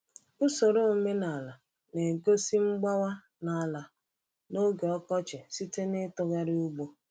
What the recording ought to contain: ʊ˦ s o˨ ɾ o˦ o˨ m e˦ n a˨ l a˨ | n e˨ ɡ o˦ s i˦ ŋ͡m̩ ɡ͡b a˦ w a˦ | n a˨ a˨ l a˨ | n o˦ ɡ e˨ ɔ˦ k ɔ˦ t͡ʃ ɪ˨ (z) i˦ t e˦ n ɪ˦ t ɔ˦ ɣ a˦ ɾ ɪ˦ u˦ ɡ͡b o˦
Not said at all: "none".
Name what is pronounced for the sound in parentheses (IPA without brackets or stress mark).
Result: s